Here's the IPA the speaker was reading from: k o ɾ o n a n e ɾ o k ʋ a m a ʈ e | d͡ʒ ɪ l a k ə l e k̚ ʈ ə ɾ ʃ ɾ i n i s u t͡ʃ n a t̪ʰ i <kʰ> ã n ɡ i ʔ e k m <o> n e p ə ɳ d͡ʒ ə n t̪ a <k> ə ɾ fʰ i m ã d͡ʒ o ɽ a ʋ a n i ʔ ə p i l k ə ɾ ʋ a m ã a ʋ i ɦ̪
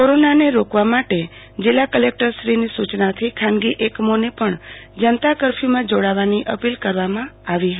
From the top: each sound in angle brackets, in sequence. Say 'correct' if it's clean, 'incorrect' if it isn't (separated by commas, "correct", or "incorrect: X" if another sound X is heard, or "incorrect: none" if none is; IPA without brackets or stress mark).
correct, correct, correct